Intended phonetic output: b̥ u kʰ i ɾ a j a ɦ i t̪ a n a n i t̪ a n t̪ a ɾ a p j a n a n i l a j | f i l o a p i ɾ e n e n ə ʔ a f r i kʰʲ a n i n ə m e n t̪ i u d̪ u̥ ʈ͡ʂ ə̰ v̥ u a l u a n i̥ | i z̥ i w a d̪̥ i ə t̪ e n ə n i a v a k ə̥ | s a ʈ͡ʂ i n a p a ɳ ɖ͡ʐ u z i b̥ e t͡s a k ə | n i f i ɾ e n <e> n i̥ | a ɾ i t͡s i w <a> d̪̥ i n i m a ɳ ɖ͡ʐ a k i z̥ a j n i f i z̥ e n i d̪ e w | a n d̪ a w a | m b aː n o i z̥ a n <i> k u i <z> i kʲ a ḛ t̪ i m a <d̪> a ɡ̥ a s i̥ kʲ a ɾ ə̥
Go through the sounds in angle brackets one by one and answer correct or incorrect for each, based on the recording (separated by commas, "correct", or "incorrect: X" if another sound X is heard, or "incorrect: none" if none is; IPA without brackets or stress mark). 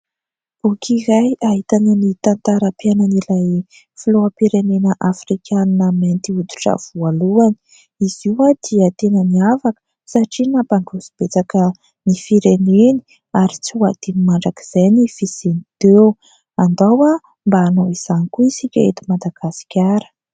correct, correct, correct, incorrect: s, correct